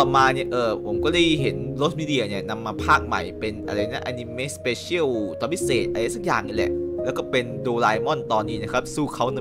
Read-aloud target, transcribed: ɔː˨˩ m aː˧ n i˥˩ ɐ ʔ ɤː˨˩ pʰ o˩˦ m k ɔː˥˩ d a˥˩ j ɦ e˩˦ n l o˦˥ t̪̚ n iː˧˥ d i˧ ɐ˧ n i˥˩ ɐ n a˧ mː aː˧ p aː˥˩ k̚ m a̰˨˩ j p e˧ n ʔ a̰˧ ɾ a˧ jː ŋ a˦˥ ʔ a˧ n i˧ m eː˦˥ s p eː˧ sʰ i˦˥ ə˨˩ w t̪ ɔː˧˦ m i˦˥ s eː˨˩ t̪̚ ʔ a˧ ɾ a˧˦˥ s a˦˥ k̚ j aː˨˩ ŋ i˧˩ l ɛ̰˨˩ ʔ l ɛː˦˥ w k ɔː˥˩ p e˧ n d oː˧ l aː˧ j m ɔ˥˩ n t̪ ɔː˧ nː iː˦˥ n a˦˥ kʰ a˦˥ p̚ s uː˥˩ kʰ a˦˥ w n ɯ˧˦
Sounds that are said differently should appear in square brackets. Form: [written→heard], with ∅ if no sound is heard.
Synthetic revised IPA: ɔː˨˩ m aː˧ n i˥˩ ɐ ʔ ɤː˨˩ pʰ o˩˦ m k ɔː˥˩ d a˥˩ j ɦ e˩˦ n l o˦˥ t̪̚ [n→m] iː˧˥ d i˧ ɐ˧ n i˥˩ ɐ n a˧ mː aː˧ [p→pʰ] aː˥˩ k̚ m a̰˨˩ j p e˧ n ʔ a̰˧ ɾ a˧ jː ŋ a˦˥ ʔ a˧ n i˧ m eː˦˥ s p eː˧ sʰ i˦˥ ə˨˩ w t̪ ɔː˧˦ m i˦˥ s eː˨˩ t̪̚ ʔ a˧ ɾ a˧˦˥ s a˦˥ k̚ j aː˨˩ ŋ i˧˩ l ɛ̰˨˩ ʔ l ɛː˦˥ w k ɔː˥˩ p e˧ n d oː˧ l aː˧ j m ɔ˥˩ n t̪ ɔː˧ nː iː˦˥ n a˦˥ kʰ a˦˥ p̚ s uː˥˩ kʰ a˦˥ w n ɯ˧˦